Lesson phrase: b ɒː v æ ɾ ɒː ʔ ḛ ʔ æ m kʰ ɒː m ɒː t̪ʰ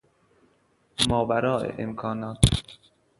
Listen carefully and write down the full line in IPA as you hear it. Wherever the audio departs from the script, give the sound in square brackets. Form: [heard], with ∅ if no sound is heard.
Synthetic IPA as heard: [m] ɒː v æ ɾ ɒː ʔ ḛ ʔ [e] m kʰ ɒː [n] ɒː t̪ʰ